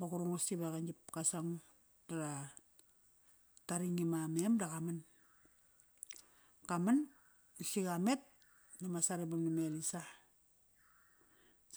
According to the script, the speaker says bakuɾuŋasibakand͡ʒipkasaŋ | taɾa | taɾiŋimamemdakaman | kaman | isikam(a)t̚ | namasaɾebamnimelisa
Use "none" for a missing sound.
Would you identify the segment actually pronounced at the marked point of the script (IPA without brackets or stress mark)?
e